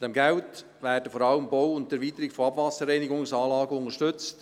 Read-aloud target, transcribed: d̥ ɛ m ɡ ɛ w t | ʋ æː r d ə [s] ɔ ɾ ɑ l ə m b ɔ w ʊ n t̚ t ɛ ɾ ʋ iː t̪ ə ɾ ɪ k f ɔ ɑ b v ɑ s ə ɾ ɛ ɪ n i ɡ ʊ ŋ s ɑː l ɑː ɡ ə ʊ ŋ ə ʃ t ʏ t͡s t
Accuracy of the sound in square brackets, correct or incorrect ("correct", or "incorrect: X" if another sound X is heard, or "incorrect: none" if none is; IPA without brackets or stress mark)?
incorrect: f